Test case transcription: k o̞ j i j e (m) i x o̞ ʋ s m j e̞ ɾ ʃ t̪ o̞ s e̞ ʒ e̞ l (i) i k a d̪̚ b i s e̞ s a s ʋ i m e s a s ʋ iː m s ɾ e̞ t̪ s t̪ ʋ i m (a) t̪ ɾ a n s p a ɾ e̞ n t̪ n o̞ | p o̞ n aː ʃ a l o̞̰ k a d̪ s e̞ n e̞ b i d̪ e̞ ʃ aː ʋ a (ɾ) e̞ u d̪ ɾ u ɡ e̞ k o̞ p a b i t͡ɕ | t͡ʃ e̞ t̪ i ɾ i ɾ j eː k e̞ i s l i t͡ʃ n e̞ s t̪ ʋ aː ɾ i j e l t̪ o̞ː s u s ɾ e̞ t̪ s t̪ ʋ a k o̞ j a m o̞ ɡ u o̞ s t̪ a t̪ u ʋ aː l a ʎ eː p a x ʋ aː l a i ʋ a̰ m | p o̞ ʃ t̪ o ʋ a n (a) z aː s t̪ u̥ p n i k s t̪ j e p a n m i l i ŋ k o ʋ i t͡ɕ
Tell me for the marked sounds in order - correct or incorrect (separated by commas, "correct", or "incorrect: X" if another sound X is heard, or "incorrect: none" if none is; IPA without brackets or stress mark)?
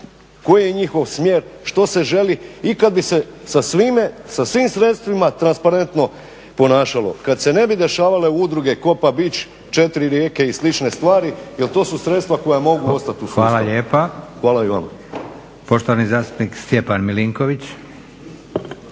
incorrect: ɲ, correct, correct, incorrect: l, incorrect: i